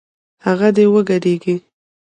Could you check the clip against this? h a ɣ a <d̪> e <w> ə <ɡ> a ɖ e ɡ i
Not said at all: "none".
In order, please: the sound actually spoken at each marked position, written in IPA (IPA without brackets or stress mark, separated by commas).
d̪, w, ɡ